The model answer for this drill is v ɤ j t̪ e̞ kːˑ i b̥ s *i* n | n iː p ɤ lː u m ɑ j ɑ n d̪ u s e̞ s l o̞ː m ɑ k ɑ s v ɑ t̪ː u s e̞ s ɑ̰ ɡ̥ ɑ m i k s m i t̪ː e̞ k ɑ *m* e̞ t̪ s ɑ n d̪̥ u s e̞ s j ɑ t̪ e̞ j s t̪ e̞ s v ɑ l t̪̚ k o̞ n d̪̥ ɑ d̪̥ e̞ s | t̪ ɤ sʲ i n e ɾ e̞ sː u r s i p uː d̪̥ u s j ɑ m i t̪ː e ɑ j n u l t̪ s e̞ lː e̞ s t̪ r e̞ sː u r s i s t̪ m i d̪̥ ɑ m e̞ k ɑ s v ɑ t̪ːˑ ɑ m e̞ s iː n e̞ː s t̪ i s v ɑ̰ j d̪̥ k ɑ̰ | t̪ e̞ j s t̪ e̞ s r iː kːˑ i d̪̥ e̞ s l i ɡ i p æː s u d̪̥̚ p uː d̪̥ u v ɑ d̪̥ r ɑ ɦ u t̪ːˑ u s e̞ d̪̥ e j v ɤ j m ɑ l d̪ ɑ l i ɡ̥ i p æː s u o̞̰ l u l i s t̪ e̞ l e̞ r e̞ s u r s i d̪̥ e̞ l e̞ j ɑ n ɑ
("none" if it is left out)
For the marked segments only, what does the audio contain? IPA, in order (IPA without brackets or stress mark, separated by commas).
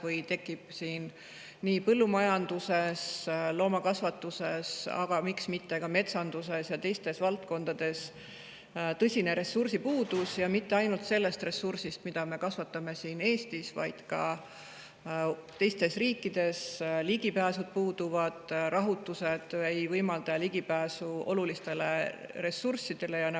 iː, m